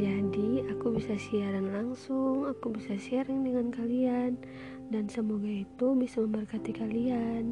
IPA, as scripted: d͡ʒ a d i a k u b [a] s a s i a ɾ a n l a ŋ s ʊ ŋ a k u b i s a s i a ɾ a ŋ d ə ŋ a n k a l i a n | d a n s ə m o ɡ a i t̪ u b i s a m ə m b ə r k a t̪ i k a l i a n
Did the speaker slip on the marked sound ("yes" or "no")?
yes